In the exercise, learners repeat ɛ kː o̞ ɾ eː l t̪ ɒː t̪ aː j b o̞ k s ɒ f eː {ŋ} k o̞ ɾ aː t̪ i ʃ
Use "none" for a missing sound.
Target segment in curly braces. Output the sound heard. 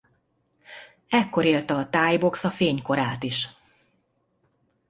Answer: ɲ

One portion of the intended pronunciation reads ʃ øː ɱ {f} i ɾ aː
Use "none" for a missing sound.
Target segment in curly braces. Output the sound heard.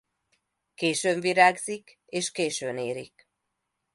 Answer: v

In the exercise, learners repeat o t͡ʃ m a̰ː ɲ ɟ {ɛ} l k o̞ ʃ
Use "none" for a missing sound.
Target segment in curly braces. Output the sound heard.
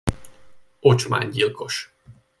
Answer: i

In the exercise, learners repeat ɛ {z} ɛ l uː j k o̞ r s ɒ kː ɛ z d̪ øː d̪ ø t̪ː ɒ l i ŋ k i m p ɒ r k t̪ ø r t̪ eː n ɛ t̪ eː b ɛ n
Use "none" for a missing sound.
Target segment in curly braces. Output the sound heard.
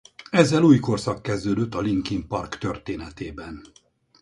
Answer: zː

